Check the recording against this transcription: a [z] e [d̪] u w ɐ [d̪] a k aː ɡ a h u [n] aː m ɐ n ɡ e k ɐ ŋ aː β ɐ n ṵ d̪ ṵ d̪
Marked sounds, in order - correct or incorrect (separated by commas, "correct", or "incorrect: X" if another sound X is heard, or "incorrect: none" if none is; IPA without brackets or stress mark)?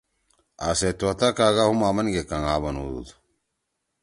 incorrect: s, incorrect: t̪, incorrect: t̪, incorrect: m